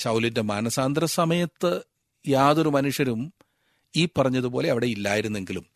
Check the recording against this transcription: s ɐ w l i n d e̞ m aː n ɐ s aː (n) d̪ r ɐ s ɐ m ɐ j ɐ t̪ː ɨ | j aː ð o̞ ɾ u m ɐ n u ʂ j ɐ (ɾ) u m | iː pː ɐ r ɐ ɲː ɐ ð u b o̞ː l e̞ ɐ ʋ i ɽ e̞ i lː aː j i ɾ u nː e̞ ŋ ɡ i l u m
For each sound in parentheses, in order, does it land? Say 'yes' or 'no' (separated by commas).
yes, yes